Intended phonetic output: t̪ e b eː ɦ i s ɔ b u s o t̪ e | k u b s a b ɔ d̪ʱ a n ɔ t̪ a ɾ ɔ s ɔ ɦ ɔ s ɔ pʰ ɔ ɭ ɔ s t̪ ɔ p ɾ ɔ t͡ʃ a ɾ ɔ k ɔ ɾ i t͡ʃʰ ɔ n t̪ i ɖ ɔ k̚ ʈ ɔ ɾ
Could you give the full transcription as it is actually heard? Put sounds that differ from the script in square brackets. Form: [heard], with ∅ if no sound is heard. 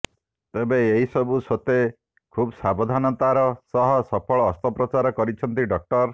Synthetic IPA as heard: t̪ e b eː ɦ i s ɔ b u s o t̪ e | [kʰ] u b s a b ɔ d̪ʱ a n ɔ t̪ a ɾ ɔ s ɔ ɦ ɔ s ɔ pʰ ɔ ɭ [ɔː] s t̪ ɔ p ɾ ɔ t͡ʃ a ɾ ɔ k ɔ ɾ i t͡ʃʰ ɔ n t̪ i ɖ ɔ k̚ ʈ ɔ ɾ